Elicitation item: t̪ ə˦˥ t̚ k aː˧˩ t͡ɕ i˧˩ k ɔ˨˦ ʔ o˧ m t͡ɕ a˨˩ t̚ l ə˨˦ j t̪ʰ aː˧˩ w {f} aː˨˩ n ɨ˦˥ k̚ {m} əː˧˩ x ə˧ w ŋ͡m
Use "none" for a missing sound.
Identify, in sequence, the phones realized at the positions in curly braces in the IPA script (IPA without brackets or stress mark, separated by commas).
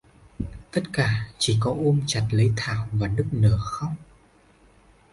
v, n